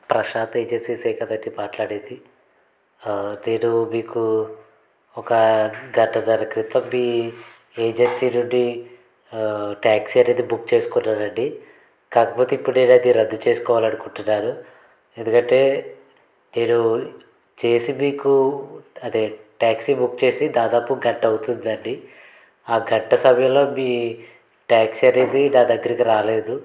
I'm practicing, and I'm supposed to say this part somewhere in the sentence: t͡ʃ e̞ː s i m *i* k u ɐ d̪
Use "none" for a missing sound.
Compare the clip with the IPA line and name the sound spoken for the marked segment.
iː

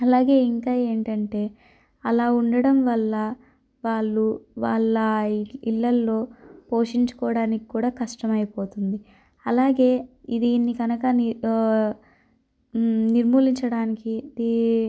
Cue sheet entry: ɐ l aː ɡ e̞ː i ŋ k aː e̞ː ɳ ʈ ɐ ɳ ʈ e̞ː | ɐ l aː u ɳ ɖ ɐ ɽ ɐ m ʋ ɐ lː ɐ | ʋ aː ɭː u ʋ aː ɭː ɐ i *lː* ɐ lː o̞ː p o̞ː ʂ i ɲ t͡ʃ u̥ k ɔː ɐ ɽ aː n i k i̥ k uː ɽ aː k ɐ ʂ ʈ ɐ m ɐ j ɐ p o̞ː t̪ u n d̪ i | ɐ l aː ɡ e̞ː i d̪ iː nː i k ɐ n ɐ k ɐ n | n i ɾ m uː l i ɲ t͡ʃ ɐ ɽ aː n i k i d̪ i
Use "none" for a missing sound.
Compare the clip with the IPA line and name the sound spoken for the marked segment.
lː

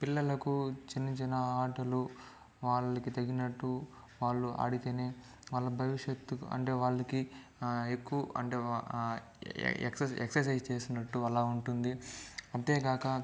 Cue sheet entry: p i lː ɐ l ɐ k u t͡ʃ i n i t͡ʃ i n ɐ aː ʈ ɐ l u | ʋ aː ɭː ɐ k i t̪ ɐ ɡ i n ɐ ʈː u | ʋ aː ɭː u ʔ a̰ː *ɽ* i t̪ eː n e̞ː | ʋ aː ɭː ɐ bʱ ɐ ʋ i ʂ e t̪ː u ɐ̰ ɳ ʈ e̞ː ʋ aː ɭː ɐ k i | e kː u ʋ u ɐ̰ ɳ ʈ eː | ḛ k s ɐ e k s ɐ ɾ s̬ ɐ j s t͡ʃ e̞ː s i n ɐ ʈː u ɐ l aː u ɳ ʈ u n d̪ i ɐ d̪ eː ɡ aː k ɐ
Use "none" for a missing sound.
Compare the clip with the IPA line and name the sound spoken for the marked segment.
ɽ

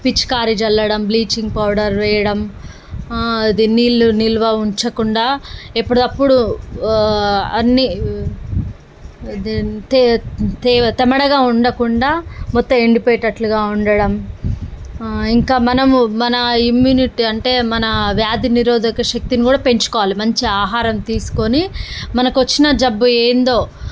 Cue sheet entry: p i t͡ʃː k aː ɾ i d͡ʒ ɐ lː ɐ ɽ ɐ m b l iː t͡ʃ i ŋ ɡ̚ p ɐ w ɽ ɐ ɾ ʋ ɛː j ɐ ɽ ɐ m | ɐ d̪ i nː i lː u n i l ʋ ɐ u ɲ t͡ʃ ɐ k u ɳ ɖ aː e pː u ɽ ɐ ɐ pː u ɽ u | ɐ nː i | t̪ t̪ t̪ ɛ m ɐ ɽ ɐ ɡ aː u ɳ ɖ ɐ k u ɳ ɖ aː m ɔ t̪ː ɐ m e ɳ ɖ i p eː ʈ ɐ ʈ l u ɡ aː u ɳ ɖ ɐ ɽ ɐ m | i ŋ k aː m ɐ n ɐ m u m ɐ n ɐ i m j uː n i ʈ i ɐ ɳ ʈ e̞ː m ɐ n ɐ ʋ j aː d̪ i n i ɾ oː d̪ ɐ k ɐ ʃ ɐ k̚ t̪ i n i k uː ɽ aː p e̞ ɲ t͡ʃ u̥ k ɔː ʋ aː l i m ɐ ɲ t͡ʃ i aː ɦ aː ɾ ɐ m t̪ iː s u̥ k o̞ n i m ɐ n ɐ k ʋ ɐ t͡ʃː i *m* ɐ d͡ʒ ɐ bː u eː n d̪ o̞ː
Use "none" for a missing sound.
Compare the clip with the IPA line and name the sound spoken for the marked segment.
n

